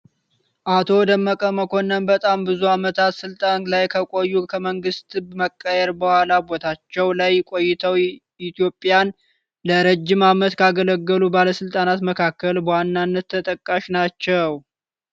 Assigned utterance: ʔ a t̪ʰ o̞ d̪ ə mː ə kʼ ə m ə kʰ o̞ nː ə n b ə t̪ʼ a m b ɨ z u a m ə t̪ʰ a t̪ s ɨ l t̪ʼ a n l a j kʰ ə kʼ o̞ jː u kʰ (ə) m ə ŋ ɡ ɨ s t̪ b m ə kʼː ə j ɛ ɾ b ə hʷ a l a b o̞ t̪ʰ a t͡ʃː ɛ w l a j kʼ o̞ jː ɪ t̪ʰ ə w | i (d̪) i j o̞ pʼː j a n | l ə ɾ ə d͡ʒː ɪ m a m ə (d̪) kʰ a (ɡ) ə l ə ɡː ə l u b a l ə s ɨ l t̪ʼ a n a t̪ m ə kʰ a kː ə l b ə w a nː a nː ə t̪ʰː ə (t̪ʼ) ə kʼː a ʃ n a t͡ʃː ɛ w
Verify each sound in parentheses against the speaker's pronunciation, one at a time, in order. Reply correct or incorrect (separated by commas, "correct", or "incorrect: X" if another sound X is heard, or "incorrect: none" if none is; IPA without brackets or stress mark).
correct, incorrect: t̪, incorrect: t̪, correct, correct